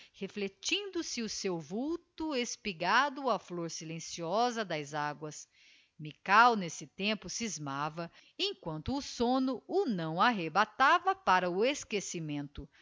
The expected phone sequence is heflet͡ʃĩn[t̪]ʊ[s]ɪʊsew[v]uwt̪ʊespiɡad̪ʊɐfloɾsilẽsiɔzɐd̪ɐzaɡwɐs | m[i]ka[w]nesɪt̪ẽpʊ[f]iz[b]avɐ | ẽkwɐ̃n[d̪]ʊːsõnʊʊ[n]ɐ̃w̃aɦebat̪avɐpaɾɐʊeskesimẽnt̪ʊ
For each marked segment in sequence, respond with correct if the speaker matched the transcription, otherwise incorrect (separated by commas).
incorrect, correct, correct, correct, correct, incorrect, incorrect, incorrect, correct